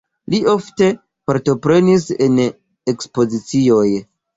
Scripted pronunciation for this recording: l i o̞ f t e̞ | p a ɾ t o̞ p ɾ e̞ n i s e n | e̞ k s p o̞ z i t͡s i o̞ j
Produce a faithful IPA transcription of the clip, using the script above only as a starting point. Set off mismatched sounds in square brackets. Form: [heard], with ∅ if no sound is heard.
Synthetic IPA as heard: l i o̞ f t e̞ | p a ɾ t o̞ p ɾ e̞ n i s e n | e̞ k s p o̞ z i t͡s i o̞ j